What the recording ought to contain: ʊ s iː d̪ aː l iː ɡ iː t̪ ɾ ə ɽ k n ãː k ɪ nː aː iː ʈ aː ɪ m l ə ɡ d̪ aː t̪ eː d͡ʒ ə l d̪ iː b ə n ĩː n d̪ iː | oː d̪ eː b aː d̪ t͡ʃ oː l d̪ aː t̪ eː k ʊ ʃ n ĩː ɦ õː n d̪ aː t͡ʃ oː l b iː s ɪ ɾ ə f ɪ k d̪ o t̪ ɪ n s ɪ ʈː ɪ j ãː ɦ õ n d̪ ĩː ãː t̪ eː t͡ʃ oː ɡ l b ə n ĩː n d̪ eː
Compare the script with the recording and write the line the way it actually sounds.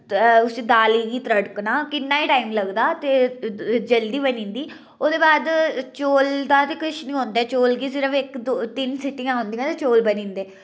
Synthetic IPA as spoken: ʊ s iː d̪ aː l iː ɡ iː t̪ ɾ ə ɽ k n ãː k ɪ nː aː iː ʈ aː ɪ m l ə ɡ d̪ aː t̪ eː d͡ʒ ə l d̪ iː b ə n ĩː n d̪ iː | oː d̪ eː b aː d̪ t͡ʃ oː l d̪ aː t̪ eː k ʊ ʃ n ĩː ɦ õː n d̪ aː t͡ʃ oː l ɡ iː s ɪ ɾ ə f ɪ k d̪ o t̪ ɪ n s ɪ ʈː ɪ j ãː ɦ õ n d̪ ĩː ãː t̪ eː t͡ʃ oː l b ə n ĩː n d̪ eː